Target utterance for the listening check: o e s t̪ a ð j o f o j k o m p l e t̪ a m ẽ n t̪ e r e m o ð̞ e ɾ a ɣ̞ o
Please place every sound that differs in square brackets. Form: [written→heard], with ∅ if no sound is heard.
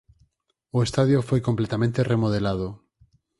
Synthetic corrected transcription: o e s t̪ a ð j o f o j k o m p l e t̪ a m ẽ n t̪ e r e m o ð̞ e [ɾ→l] a [ɣ̞→ð̞] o